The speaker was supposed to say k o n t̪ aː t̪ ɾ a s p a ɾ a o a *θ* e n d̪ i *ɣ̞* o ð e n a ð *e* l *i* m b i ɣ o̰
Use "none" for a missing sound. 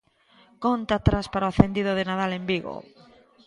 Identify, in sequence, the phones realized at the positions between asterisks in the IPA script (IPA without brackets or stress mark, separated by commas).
θ, ð̞, a, e